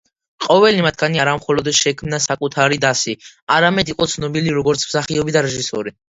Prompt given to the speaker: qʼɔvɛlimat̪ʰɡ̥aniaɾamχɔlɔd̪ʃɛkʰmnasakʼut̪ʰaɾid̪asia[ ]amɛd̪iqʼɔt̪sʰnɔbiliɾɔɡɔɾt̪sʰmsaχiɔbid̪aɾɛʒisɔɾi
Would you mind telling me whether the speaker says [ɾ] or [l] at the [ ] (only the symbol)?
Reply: ɾ